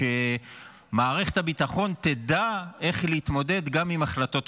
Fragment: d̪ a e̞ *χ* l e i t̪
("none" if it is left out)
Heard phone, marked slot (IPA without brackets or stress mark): χ